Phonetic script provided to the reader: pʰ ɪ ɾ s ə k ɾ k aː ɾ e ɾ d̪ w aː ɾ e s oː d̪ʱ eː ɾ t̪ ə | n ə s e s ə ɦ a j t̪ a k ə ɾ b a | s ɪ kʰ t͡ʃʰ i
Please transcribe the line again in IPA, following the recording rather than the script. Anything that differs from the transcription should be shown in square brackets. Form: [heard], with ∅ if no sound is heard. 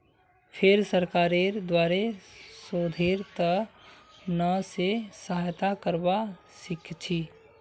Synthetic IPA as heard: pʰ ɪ ɾ s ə [∅] ɾ k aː ɾ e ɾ d̪ w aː ɾ e s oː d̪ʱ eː ɾ t̪ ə | n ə s e s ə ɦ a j t̪ a k ə ɾ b a | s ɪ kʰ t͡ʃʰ i

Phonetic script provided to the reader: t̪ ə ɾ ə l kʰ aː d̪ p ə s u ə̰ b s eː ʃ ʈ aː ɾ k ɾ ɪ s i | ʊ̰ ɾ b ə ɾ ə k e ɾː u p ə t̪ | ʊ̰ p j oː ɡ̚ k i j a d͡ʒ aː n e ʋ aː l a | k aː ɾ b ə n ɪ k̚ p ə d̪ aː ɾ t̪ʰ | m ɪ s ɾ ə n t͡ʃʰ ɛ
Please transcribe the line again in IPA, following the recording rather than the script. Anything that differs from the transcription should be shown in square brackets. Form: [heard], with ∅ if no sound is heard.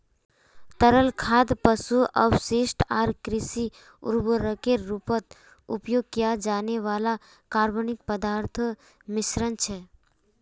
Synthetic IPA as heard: t̪ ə ɾ ə l kʰ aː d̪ p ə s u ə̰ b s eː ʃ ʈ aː ɾ k ɾ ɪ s i | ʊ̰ ɾ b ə ɾ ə k e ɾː u p ə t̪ | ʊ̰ p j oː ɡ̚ k i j a d͡ʒ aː n e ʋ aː l a | k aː ɾ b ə n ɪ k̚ p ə d̪ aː ɾ t̪ʰ | m ɪ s ɾ ə n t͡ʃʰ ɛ

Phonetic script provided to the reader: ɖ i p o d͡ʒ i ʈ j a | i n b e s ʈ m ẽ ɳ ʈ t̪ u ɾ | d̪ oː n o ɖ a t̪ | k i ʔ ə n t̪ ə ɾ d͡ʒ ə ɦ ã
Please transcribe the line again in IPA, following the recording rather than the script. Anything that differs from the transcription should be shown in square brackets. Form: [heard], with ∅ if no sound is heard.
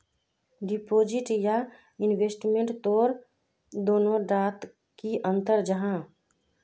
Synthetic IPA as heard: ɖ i p o d͡ʒ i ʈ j a | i n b e s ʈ m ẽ ɳ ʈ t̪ [o] ɾ | d̪ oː n o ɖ a t̪ | k i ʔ ə n t̪ ə ɾ d͡ʒ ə ɦ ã

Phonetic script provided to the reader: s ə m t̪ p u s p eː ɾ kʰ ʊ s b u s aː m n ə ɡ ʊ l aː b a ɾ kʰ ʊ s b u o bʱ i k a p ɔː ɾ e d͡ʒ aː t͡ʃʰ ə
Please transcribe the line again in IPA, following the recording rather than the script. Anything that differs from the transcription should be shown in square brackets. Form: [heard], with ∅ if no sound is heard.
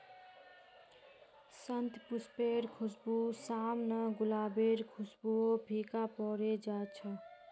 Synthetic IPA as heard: s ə [n] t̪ p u s p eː ɾ kʰ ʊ s b u s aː m n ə ɡ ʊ l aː b [e] ɾ kʰ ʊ s b u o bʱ i k a p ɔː ɾ e d͡ʒ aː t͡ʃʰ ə

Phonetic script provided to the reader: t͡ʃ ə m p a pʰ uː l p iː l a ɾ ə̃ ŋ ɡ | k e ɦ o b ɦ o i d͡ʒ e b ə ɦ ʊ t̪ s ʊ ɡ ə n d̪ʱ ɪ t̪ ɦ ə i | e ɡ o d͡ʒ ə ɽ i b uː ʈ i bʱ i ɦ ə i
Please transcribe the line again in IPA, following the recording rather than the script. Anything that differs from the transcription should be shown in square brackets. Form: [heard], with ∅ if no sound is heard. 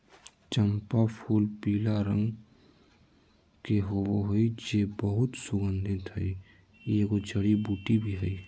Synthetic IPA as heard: t͡ʃ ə m p a pʰ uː l p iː l a ɾ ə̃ ŋ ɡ | k e ɦ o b ɦ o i d͡ʒ e b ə ɦ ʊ t̪ s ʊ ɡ ə n d̪ʱ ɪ t̪ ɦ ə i | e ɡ o d͡ʒ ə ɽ i b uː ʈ i bʱ i ɦ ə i

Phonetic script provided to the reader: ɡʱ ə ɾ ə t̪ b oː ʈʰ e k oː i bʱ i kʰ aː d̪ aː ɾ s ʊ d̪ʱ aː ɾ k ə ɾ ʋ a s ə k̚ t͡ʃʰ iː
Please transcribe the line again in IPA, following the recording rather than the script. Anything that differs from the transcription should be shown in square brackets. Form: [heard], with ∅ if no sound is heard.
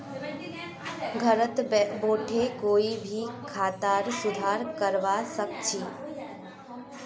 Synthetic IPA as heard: ɡʱ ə ɾ ə t̪ b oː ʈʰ e k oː i bʱ i kʰ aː [t̪] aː ɾ s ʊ d̪ʱ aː ɾ k ə ɾ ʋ a s ə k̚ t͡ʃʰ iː

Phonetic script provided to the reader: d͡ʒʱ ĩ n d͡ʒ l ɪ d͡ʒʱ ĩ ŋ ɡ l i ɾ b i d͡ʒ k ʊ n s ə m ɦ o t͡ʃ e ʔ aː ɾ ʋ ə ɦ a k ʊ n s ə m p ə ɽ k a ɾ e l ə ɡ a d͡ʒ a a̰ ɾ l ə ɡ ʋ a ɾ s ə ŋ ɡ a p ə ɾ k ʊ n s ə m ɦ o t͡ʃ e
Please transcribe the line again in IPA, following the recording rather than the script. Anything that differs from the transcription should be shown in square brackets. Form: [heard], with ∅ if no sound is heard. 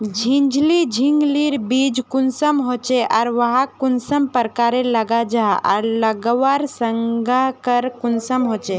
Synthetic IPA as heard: d͡ʒʱ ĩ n d͡ʒ l [i] d͡ʒʱ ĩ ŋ ɡ l i ɾ b i d͡ʒ k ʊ n s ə m ɦ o t͡ʃ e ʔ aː ɾ ʋ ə ɦ a k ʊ n s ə m p ə [ɾ] k a ɾ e l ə ɡ a d͡ʒ a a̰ ɾ l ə ɡ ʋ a ɾ s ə ŋ ɡ a [k] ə ɾ k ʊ n s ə m ɦ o t͡ʃ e

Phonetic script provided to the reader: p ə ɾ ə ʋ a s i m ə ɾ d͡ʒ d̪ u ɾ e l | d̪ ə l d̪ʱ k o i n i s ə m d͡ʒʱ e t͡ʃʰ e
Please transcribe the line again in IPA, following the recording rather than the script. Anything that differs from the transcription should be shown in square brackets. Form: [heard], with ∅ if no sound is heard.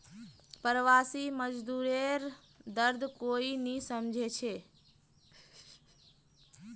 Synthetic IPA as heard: p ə ɾ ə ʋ a s i m ə [∅] d͡ʒ d̪ u ɾ e [ɾ] | d̪ ə [ɾ] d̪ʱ k o i n i s ə m d͡ʒʱ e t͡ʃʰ e

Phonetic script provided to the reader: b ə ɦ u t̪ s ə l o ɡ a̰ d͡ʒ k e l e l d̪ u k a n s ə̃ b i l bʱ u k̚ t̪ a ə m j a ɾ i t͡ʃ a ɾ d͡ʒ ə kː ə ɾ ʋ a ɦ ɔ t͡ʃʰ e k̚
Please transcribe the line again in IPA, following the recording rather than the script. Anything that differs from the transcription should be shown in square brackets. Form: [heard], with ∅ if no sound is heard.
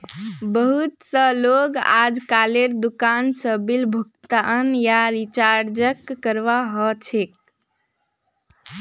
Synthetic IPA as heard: b ə ɦ u t̪ s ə l o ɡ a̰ d͡ʒ k [a] l e [ɾ] d̪ u k a n s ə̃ b i l bʱ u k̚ t̪ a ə [n] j a ɾ i t͡ʃ a ɾ d͡ʒ ə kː ə ɾ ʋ a ɦ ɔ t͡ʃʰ e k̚

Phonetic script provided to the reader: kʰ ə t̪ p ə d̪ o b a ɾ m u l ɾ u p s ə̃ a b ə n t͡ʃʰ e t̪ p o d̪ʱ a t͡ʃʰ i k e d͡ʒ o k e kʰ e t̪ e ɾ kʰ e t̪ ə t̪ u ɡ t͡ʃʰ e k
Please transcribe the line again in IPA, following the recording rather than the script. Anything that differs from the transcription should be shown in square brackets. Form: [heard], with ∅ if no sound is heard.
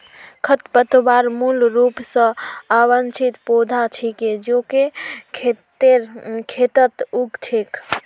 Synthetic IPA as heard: kʰ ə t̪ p ə [t̪] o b a ɾ m u l ɾ u p s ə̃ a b ə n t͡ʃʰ [i] t̪ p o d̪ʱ a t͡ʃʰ i k e d͡ʒ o k e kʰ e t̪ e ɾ kʰ e t̪ ə t̪ u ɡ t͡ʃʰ e k

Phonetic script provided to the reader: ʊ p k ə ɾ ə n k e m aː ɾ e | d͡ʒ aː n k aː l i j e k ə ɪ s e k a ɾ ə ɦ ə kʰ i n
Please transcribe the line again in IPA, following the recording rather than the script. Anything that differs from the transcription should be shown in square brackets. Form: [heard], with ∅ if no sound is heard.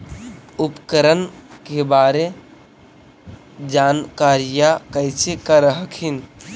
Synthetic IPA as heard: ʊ p k ə ɾ ə n k e [b] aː ɾ e | d͡ʒ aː n k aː [ɾ] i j [a] k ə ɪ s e k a ɾ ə ɦ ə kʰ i n

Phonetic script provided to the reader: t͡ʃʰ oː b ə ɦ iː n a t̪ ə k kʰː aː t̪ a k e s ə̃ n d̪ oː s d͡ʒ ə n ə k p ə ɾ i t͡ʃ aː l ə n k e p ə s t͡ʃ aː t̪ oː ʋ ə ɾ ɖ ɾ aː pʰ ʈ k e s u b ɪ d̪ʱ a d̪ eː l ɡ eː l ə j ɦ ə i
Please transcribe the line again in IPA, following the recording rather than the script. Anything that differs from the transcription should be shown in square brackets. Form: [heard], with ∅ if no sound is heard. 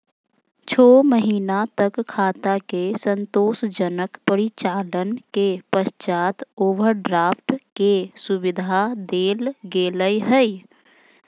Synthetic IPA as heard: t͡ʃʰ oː [m] ə ɦ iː n a t̪ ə k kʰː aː t̪ a k e s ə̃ n [t̪] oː s d͡ʒ ə n ə k p ə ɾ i t͡ʃ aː l ə n k e p ə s t͡ʃ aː t̪ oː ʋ ə ɾ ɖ ɾ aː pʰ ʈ k e s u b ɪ d̪ʱ a d̪ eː l ɡ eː l ə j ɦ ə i

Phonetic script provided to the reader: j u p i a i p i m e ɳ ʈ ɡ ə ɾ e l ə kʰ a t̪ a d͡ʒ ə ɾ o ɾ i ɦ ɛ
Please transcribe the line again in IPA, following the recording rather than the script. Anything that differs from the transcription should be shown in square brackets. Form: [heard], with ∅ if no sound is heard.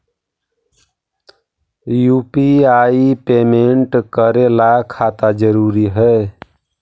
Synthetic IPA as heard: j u p i a i p [e] m e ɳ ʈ [k] ə ɾ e l [a] kʰ a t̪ a d͡ʒ ə ɾ [u] ɾ i ɦ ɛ

